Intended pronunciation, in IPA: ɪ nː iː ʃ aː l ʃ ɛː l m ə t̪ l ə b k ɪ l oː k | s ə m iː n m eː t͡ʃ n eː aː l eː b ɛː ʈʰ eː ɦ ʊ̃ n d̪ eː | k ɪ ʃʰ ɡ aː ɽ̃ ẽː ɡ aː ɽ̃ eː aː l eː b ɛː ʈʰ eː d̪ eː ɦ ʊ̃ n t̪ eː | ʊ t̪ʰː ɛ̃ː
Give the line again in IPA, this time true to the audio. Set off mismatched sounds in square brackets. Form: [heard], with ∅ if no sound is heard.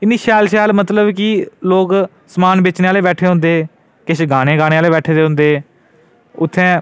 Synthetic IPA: ɪ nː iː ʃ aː l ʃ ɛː l m ə t̪ l ə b k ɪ l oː k | s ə m [aː] n [b] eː t͡ʃ n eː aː l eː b ɛː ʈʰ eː ɦ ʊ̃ n d̪ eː | k ɪ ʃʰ ɡ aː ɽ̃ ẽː ɡ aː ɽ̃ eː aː l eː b ɛː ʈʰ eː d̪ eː ɦ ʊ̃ n [d̪] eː | ʊ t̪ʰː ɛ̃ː